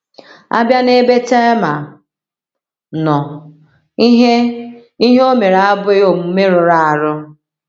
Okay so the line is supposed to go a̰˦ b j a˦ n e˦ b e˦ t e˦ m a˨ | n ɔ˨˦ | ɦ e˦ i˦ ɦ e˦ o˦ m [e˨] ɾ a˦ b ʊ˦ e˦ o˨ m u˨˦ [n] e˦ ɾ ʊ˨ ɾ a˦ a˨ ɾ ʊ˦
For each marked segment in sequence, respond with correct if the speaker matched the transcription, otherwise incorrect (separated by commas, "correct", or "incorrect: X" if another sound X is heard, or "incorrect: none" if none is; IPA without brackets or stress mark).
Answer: correct, incorrect: m